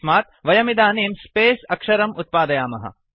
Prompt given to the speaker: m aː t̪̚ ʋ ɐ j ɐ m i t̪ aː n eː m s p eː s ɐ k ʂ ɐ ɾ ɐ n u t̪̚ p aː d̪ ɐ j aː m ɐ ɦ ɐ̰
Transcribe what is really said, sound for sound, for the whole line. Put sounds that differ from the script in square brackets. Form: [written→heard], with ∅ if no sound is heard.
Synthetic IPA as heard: m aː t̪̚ ʋ ɐ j ɐ m i [t̪→d̪] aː n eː m s p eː s ɐ k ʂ ɐ ɾ ɐ [n→m] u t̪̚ p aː d̪ ɐ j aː m ɐ ɦ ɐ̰